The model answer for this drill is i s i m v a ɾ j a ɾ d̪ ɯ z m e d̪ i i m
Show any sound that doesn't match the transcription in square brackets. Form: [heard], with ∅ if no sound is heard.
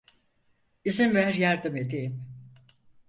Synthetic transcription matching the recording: i [z] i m v [æ] ɾ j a ɾ d̪ ɯ [∅] m e d̪ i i m